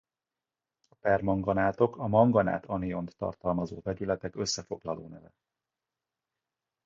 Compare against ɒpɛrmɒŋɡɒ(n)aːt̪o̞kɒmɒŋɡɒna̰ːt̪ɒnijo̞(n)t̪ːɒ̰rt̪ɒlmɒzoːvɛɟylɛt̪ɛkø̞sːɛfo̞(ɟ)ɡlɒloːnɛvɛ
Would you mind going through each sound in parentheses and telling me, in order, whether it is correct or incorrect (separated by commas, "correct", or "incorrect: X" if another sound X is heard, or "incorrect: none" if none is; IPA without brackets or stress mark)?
correct, correct, incorrect: none